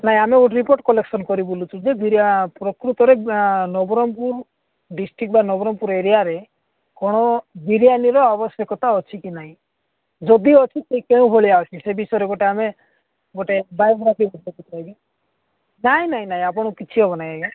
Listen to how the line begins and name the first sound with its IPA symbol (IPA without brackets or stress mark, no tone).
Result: n